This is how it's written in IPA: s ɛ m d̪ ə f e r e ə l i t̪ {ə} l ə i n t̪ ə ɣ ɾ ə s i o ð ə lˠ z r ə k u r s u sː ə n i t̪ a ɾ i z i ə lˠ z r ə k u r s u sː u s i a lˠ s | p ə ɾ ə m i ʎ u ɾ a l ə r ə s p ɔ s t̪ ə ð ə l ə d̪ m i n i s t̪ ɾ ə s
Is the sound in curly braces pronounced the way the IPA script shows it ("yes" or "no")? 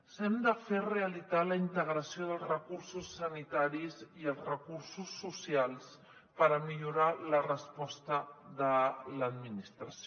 no